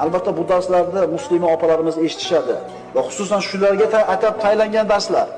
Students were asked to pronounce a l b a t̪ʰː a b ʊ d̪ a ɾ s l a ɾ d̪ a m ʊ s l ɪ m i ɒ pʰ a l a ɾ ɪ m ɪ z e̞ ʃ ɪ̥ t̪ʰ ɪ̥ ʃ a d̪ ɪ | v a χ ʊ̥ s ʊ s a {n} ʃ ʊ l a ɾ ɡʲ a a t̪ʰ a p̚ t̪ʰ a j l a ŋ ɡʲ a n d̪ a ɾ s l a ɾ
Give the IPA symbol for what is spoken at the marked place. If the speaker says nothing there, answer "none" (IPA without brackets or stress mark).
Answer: n